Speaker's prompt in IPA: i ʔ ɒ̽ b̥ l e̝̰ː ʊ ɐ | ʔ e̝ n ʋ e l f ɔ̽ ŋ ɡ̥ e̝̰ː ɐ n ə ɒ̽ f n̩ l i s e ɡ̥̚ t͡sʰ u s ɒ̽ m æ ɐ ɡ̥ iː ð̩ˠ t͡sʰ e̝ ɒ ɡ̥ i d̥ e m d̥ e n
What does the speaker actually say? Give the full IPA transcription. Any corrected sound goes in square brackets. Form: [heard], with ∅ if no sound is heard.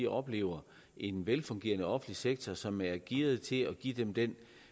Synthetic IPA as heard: i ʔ ɒ̽ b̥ l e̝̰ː ʊ ɐ | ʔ e̝ n ʋ e l f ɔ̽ ŋ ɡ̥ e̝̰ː ɐ n ə ɒ̽ f n̩ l i s e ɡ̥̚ t͡sʰ [ɒ] s ɒ̽ m æ ɐ ɡ̥ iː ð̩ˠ t͡sʰ e̝ ɒ ɡ̥ i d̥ e m d̥ e n